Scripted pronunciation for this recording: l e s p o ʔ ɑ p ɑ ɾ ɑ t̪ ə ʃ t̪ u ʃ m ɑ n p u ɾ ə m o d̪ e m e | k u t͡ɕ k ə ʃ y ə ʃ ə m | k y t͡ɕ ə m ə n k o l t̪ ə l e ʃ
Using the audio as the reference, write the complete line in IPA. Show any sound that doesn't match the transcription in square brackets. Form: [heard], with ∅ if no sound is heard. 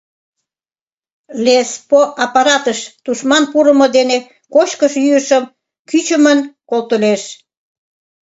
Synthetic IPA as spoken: l e s p o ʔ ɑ p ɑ ɾ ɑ t̪ ə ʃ t̪ u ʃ m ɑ n p u ɾ ə m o d̪ e [n] e | k [o] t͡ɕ k ə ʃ y ə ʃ ə m | k y t͡ɕ ə m ə n k o l t̪ ə l e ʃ